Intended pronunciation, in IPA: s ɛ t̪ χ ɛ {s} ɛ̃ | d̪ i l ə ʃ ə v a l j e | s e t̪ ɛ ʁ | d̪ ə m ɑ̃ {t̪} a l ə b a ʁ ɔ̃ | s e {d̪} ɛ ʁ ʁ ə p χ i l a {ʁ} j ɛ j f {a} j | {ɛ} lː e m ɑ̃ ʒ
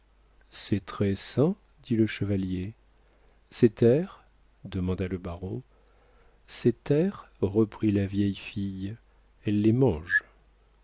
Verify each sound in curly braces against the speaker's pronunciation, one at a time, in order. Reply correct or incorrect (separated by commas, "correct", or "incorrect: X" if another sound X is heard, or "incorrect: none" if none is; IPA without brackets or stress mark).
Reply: correct, incorrect: d̪, incorrect: t̪, incorrect: v, incorrect: i, correct